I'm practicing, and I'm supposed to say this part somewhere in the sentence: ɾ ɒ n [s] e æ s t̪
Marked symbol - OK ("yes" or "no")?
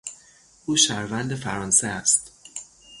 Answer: yes